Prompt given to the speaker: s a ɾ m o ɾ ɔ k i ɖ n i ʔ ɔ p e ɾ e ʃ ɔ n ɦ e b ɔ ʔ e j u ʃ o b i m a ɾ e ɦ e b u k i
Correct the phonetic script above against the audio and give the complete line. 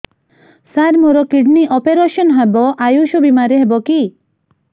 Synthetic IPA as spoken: s a ɾ m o ɾ ɔ k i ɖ n i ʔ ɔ p e ɾ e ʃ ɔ n ɦ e b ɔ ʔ a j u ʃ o b i m a ɾ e ɦ e b ɔ k i